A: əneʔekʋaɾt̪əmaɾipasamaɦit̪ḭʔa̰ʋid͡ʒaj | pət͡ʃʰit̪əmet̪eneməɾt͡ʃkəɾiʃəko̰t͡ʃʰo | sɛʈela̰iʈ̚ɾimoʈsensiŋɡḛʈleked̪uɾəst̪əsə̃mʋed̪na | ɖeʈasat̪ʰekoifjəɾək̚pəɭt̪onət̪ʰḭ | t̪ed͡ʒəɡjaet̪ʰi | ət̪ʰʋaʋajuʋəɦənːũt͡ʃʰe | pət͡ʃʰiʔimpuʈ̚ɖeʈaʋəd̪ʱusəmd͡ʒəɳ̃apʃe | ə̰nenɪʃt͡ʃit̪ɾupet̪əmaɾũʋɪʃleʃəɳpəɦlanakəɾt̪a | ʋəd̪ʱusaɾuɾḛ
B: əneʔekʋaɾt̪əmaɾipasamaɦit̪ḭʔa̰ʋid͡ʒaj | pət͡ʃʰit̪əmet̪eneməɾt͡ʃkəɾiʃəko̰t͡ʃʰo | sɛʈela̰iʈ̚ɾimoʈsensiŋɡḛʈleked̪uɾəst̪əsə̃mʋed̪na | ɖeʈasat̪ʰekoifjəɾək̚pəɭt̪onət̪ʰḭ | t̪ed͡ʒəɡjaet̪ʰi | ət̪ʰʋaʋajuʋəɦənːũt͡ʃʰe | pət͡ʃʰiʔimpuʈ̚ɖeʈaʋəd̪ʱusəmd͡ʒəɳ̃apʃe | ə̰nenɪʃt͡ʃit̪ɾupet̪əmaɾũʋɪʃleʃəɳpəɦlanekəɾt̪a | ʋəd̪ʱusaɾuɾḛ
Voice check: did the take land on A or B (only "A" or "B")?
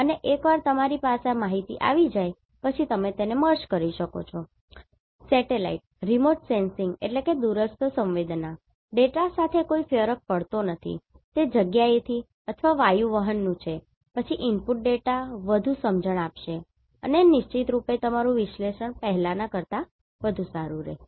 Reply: A